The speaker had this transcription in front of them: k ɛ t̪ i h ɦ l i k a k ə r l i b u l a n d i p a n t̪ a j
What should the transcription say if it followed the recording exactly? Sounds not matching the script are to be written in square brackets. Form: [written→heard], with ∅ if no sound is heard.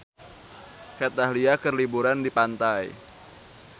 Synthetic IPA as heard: k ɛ t̪ [i→a] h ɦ l i [k→∅] a k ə r l i b u [l→ɾ] a n d i p a n t̪ a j